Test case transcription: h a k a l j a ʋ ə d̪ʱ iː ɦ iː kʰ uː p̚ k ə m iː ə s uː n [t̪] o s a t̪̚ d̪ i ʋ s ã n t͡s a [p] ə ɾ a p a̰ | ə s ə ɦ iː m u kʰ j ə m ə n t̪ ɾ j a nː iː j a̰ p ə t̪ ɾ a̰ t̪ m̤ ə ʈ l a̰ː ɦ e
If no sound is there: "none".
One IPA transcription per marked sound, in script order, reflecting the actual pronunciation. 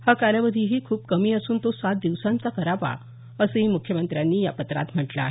t̪, k

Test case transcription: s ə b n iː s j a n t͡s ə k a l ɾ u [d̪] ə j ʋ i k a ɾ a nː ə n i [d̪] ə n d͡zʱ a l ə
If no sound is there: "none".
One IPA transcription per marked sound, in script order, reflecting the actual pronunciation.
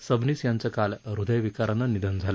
d̪, d̪

